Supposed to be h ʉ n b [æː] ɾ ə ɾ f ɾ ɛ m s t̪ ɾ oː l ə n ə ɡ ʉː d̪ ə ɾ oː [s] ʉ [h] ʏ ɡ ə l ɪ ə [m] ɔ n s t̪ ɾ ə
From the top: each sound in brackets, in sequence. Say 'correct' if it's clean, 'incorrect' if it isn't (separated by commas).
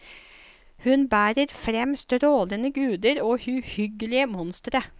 correct, incorrect, correct, correct